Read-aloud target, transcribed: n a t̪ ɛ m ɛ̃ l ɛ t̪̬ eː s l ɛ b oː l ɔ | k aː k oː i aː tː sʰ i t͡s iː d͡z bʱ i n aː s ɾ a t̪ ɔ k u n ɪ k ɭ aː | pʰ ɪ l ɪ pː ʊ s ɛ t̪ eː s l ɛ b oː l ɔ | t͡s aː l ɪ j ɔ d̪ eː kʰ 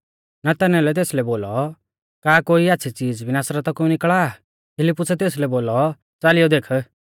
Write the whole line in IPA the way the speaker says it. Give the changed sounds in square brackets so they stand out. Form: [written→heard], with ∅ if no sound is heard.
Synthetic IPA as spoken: n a t̪ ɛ [m→n] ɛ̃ l ɛ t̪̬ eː s l ɛ b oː l ɔ | k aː k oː i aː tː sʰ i t͡s iː d͡z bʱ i n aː s ɾ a t̪ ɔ k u n ɪ k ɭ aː | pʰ ɪ l ɪ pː ʊ s ɛ t̪ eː s l ɛ b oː l ɔ | t͡s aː l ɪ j ɔ d̪ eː kʰ